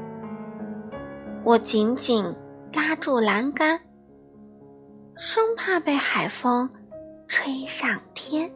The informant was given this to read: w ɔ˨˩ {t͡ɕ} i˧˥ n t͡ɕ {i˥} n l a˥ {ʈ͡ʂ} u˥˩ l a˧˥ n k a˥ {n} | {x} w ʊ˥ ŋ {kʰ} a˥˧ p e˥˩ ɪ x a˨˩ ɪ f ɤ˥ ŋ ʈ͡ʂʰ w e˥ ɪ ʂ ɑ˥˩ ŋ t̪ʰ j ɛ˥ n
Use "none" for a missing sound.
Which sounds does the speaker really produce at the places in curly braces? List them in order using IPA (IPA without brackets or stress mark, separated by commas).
t͡ɕ, i˨˩, ʈ͡ʂ, n, ʂ, pʰ